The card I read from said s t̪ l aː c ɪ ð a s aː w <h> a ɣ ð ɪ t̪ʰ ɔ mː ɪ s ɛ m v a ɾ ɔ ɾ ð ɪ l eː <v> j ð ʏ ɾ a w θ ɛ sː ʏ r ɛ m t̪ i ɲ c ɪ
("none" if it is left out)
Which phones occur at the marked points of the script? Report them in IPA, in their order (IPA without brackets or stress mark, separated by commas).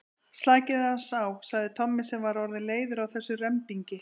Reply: s, none